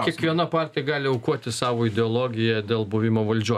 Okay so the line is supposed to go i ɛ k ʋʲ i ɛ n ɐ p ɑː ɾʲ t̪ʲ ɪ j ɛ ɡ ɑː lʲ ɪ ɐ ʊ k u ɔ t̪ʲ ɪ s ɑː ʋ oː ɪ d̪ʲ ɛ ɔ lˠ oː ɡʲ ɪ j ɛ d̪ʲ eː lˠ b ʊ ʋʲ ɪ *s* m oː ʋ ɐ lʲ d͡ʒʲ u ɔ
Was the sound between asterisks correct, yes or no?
no